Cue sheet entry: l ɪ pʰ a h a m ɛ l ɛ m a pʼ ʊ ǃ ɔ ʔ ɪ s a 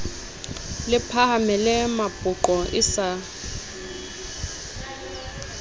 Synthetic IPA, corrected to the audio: l ɪ pʰ a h a m ɛ l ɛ m a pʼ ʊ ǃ ɔ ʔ ɪ s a